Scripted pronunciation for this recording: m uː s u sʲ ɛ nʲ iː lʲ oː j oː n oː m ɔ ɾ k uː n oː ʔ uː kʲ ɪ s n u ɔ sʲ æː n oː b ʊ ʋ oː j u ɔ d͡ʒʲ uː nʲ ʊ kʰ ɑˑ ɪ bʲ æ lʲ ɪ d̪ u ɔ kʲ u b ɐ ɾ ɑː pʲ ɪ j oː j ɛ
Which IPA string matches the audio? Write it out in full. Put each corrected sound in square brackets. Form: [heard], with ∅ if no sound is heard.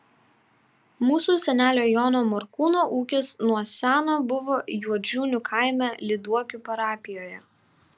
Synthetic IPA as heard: m uː s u sʲ ɛ nʲ [æː] lʲ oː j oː n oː m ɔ ɾ k uː n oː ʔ uː kʲ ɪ s n u ɔ sʲ æː n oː b ʊ ʋ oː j u ɔ d͡ʒʲ uː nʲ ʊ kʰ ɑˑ ɪ [mʲ] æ lʲ ɪ d̪ u ɔ kʲ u [p] ɐ ɾ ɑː pʲ ɪ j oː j ɛ